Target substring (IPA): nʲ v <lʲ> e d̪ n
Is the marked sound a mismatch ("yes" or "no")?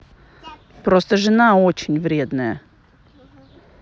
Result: yes